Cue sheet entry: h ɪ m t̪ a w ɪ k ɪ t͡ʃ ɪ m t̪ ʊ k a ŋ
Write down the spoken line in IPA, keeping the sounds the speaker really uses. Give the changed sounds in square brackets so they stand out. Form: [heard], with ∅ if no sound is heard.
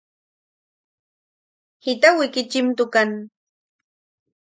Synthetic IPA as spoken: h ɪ [∅] t̪ a w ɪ k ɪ t͡ʃ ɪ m t̪ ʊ k a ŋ